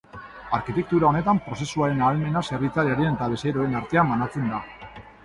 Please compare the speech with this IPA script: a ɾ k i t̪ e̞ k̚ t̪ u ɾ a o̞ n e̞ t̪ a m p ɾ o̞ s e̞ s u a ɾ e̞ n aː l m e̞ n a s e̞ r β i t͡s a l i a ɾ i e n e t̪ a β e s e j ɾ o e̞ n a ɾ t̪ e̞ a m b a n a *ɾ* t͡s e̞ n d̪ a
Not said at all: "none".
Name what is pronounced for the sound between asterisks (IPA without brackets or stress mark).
none